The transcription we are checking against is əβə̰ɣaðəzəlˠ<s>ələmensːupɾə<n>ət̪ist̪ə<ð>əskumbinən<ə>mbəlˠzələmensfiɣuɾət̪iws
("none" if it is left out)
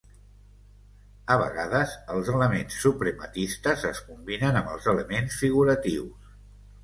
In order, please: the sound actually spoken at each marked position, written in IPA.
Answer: z, m, z, ə

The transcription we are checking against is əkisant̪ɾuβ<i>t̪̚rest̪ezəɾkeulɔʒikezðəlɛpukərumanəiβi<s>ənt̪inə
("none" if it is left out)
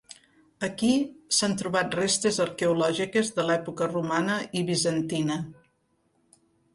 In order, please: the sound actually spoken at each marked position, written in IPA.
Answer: a, z

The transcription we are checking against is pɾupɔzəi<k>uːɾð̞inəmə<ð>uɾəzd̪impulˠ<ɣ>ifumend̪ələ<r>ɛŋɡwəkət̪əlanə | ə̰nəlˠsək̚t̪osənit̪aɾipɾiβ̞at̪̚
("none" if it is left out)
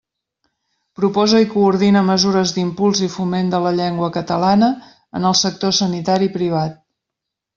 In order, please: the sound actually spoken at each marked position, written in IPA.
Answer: k, z, z, ʎ

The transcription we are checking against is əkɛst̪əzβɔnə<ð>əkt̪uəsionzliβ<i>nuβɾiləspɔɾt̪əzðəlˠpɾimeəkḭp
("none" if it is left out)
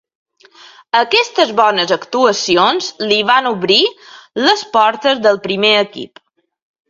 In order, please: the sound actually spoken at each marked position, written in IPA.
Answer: z, a

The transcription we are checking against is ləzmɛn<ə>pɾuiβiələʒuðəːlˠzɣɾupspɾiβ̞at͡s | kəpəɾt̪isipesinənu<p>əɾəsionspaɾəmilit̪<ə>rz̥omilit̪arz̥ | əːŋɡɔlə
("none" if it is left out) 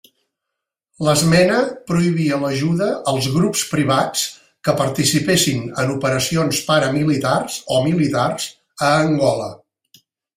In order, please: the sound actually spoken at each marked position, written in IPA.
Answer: ə, p, a

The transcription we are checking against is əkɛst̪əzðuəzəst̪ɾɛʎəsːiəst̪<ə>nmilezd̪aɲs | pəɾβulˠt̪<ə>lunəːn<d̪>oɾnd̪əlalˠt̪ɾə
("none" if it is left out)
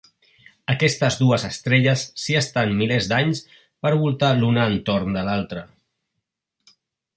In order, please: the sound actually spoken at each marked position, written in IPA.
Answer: a, a, t̪

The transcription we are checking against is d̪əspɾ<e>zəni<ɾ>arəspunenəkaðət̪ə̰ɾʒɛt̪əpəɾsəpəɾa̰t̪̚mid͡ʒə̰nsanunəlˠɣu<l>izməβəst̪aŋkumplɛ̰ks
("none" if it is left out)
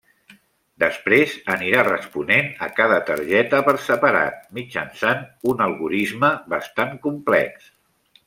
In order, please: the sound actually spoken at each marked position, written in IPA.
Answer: e, ɾ, ɾ

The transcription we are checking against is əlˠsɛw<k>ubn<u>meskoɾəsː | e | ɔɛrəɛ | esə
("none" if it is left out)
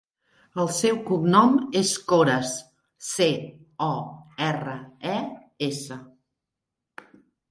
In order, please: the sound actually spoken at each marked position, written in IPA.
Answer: k, ɔ

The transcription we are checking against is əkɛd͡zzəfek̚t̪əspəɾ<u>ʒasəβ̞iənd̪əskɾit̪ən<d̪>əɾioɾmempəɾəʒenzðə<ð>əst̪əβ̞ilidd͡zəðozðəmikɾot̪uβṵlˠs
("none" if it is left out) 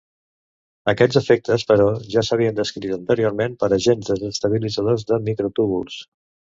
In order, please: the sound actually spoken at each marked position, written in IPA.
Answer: ɔ, t̪, z

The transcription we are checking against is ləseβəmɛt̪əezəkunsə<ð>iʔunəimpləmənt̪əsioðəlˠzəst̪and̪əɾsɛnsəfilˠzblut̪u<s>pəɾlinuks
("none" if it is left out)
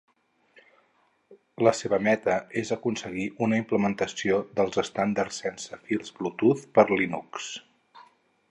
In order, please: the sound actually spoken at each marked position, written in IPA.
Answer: ɣ, θ

